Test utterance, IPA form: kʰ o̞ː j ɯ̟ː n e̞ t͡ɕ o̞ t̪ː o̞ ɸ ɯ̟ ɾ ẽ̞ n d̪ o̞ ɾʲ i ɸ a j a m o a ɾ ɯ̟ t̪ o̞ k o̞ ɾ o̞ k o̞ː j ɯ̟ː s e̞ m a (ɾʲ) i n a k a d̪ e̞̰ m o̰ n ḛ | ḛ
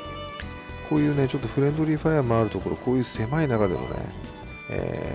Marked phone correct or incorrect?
incorrect